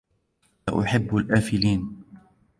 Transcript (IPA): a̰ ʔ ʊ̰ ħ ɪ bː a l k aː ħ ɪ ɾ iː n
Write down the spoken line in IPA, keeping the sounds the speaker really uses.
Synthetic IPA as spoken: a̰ ʔ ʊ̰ ħ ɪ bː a l ʔ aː f ɪ l iː n

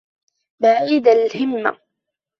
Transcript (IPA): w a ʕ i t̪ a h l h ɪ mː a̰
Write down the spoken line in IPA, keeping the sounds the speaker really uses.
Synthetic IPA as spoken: b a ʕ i d̪ a l h ɪ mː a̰

